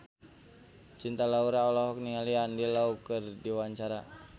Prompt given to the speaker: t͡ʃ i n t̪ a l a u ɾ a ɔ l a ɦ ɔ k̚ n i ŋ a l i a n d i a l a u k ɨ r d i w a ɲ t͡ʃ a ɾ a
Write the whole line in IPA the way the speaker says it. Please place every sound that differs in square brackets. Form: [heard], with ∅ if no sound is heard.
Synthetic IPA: t͡ʃ i n t̪ a l a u ɾ a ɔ l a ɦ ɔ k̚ n i ŋ a l i a n d i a l a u k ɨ r d i w a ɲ t͡ʃ a ɾ a